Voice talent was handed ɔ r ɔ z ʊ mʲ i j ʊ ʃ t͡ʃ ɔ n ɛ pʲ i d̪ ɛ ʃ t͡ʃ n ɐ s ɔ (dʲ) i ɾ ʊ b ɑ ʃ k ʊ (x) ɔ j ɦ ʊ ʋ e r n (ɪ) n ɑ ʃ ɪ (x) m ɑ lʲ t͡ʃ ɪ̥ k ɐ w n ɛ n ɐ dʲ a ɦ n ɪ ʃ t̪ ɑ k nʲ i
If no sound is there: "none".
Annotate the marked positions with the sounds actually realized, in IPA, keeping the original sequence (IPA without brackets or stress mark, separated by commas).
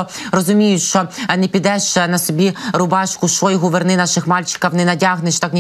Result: bʲ, ʃ, ɪ, x